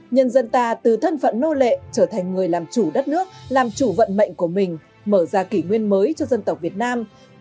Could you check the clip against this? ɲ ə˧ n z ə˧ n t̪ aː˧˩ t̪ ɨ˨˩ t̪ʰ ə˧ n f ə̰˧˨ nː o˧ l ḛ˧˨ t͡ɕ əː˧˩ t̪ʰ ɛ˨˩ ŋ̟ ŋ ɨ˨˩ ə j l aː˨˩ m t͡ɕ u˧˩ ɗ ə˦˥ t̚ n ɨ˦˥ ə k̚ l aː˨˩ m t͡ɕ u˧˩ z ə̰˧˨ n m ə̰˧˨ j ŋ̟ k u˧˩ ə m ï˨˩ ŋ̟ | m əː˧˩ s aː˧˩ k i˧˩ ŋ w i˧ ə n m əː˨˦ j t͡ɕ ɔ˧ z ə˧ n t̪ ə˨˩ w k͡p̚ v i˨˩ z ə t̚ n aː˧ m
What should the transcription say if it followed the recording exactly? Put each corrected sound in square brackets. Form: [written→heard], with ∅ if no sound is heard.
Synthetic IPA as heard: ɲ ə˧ n z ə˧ n t̪ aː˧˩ t̪ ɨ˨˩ t̪ʰ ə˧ n f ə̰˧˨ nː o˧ l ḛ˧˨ t͡ɕ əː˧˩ t̪ʰ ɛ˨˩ ŋ̟ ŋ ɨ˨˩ ə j l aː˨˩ m t͡ɕ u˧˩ ɗ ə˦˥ t̚ n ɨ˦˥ ə k̚ l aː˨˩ m t͡ɕ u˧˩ [z→v] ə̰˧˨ n m ə̰˧˨ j ŋ̟ k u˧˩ ə m ï˨˩ ŋ̟ | m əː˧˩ [s→z] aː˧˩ k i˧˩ ŋ w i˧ ə n m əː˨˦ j t͡ɕ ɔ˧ z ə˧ n t̪ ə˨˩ w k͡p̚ v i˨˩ [z→∅] ə t̚ n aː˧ m